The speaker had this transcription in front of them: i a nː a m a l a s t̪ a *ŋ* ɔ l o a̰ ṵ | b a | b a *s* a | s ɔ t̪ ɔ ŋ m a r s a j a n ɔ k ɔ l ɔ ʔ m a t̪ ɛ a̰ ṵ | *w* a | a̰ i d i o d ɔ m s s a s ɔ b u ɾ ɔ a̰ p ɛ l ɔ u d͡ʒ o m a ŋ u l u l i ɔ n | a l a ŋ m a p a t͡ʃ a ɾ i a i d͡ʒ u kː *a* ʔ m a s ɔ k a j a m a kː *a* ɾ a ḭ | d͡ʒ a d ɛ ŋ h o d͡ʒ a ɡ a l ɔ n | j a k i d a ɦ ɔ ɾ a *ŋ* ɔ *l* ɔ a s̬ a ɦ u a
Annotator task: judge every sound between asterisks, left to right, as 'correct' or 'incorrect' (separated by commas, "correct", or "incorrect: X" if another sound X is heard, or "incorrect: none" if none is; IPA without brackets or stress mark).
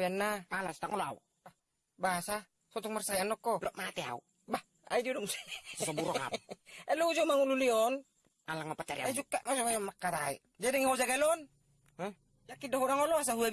correct, correct, incorrect: b, correct, correct, correct, correct